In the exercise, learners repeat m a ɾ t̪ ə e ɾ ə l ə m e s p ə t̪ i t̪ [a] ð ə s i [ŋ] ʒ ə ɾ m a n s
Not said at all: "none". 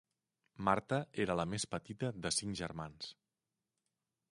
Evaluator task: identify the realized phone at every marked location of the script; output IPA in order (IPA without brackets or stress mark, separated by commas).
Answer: ə, ŋ